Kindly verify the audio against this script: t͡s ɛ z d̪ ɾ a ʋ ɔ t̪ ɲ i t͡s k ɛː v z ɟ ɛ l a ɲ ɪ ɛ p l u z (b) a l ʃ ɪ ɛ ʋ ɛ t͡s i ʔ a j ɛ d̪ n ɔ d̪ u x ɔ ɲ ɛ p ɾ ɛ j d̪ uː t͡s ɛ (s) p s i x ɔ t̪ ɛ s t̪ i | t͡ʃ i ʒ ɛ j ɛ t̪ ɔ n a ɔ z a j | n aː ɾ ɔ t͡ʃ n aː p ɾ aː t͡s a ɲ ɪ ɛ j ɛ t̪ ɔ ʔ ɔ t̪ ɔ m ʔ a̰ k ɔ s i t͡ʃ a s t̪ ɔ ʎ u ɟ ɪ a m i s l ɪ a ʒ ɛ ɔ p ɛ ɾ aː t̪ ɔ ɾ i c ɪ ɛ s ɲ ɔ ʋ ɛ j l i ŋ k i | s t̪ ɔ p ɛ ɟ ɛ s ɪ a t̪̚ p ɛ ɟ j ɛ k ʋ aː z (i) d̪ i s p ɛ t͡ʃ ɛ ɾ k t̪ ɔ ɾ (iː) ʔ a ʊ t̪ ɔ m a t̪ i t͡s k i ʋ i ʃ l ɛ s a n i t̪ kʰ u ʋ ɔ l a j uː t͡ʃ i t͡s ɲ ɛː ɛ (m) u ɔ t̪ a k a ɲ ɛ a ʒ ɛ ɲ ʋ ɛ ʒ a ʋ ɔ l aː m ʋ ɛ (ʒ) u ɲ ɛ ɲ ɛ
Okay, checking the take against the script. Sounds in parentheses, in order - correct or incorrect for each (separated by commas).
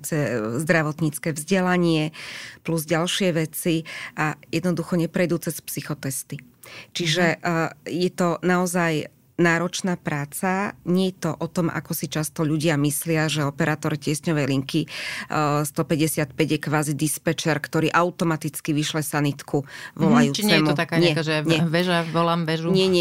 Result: incorrect, correct, correct, correct, correct, correct